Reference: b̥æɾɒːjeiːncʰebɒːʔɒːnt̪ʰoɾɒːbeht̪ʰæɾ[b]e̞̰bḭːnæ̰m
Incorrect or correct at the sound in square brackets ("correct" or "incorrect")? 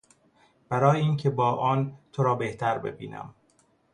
correct